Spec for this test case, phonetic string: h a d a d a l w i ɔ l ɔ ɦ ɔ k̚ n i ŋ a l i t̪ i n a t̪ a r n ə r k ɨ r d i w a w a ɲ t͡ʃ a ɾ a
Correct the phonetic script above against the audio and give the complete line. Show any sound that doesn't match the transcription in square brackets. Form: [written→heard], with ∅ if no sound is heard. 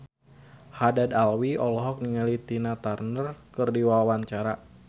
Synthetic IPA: h a d a d a l w i ɔ l ɔ ɦ ɔ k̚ n i ŋ a l i t̪ i n a t̪ a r n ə r k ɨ r d i w a w a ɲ t͡ʃ a ɾ a